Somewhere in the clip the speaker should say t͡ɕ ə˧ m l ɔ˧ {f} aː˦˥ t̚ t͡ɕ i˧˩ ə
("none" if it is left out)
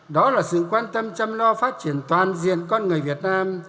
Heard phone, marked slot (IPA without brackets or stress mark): f